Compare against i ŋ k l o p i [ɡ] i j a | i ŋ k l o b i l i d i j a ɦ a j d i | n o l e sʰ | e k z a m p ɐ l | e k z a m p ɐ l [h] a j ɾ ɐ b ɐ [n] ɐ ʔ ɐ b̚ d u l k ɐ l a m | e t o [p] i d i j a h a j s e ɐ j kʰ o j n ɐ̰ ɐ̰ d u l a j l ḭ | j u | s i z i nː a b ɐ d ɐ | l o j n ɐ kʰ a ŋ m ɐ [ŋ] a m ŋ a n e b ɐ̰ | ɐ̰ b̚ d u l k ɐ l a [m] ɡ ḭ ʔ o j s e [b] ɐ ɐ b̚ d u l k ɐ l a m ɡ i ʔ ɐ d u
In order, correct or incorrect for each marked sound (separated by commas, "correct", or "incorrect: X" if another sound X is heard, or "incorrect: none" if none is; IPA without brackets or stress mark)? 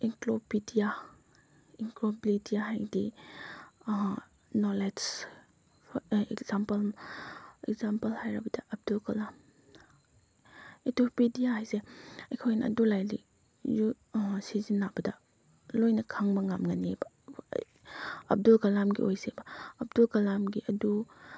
incorrect: d, correct, incorrect: d, correct, correct, correct, correct